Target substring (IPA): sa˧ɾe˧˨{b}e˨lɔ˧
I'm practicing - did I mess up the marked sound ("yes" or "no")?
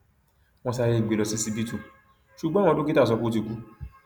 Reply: yes